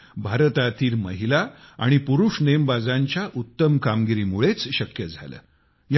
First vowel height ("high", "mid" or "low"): low